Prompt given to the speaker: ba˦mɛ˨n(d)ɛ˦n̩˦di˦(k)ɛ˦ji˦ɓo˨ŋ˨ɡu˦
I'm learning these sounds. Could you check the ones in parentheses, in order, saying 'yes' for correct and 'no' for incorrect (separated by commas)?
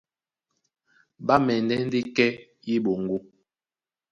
yes, yes